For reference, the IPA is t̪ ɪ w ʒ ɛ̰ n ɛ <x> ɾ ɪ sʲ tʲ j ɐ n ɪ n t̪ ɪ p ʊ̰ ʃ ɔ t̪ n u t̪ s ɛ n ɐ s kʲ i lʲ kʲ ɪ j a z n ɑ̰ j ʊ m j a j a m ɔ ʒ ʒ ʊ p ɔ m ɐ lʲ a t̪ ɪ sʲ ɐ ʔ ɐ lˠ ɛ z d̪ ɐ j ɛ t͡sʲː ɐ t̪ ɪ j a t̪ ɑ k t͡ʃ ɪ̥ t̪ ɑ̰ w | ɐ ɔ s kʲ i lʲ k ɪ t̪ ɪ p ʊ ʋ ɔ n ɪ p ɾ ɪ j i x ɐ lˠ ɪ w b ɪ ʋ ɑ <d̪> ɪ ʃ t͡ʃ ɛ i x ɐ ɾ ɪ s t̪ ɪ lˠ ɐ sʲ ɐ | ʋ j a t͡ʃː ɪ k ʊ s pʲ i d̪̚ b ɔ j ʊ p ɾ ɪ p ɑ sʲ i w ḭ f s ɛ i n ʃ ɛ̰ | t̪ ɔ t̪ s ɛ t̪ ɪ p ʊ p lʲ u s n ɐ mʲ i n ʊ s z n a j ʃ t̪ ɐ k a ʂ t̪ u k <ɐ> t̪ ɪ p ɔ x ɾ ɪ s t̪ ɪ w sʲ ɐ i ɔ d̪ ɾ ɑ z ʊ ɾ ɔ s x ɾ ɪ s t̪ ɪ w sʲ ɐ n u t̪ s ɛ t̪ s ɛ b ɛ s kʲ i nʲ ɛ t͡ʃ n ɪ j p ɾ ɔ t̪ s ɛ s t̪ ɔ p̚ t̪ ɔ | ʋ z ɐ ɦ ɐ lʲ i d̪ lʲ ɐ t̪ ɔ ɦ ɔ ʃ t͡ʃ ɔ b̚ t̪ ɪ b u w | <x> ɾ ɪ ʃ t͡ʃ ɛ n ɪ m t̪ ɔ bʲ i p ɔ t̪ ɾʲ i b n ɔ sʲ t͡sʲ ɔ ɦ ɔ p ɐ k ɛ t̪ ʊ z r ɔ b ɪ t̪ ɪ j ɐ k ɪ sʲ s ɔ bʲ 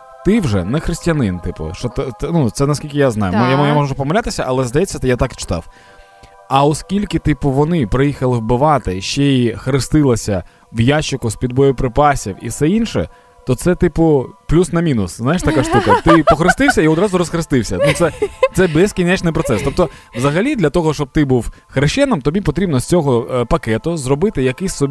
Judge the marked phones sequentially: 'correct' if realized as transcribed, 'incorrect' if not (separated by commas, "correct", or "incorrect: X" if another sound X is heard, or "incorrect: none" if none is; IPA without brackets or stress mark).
correct, incorrect: t̪, correct, correct